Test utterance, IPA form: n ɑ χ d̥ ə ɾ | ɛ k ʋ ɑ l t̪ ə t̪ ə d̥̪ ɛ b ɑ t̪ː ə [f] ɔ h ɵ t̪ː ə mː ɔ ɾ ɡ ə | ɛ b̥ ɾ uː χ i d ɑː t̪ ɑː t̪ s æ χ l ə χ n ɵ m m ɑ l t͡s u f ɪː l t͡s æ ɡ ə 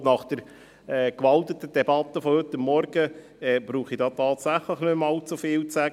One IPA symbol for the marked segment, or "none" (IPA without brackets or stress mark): f